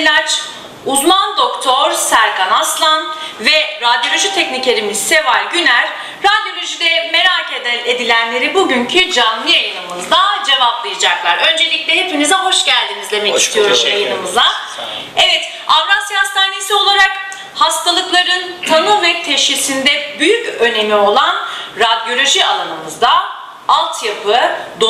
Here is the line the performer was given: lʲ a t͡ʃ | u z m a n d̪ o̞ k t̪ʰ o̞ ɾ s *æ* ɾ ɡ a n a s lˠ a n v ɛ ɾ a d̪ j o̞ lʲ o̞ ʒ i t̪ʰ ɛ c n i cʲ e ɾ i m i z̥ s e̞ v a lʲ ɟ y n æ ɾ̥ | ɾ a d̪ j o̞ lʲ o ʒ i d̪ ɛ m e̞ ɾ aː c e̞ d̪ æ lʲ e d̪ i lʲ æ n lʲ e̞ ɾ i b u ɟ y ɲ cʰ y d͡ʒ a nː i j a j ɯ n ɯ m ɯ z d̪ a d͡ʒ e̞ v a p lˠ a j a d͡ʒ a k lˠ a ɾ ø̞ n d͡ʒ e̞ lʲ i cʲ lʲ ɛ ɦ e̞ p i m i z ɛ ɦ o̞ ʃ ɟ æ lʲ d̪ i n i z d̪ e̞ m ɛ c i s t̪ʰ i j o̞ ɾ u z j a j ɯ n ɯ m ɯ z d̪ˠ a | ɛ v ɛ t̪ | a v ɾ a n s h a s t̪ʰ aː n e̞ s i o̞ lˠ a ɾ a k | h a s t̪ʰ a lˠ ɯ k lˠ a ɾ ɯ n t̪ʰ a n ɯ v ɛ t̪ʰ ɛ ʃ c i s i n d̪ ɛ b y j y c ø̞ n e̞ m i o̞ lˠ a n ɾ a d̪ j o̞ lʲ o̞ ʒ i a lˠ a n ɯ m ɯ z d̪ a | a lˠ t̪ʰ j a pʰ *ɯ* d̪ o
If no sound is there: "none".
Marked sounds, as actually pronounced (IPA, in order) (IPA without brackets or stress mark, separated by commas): æ, ɯ